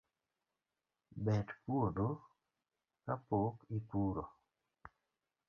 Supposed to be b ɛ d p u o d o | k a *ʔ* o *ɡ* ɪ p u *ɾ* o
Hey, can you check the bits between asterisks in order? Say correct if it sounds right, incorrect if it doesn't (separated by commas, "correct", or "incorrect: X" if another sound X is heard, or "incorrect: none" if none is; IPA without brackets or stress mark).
incorrect: p, incorrect: k, correct